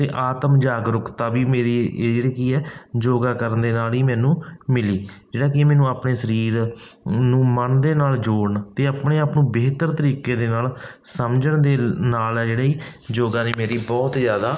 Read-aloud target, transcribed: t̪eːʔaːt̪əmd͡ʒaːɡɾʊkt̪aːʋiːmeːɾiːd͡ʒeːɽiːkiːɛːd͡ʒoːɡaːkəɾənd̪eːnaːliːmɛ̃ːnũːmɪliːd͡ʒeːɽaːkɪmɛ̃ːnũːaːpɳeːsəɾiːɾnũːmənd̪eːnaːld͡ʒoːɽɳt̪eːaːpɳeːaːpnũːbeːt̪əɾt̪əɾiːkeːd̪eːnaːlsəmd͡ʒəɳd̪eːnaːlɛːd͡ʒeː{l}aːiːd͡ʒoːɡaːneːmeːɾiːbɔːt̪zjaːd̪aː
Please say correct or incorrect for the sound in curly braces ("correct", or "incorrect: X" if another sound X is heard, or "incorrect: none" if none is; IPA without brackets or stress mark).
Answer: incorrect: ɽ